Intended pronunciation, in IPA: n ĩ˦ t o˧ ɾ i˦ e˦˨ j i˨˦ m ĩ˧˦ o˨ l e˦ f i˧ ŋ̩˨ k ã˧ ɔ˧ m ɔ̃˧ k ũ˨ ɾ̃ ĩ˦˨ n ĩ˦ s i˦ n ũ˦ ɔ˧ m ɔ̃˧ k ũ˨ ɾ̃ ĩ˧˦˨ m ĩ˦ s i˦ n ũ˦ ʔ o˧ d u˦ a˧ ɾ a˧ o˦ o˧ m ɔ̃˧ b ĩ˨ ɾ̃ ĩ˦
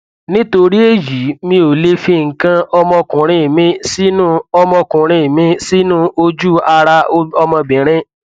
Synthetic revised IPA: n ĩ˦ t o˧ ɾ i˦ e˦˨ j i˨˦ m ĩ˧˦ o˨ l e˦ f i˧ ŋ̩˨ k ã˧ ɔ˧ m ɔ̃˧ k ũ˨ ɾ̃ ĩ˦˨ m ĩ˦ s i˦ n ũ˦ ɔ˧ m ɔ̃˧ k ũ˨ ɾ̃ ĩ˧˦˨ m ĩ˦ s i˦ n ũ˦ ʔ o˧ d͡ʒ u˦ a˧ ɾ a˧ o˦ ɔ˧ m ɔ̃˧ b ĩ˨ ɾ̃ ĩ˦